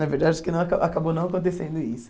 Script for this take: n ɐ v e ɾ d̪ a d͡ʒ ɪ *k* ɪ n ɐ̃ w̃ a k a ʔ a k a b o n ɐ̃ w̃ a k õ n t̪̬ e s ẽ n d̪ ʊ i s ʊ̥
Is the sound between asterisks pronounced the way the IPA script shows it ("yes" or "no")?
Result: yes